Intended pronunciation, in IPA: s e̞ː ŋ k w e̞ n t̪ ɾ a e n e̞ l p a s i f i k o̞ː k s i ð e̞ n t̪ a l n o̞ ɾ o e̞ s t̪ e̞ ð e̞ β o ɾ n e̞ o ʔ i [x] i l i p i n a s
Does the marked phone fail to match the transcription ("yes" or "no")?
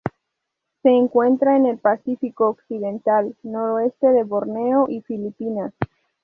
yes